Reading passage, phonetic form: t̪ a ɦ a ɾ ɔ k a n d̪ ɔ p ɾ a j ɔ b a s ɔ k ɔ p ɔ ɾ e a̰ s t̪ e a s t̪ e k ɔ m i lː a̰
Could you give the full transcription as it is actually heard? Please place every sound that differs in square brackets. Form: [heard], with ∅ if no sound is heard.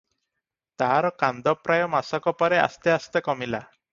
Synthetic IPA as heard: t̪ a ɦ a ɾ ɔ k a n d̪ ɔ p ɾ a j ɔ [m] a s ɔ k ɔ p ɔ ɾ e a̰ s t̪ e a s t̪ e k ɔ m i [l] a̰